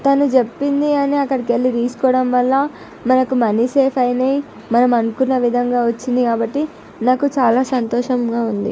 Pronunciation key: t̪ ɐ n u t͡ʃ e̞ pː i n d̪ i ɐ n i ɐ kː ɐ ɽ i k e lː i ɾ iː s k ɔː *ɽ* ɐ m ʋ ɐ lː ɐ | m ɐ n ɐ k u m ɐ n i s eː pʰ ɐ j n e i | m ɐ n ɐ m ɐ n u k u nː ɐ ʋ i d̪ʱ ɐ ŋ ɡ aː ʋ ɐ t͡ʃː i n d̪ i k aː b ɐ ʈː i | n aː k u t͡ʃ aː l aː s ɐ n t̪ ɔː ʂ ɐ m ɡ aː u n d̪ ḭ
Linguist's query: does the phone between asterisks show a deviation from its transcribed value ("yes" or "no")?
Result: no